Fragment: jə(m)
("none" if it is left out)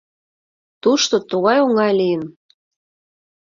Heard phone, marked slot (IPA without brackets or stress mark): n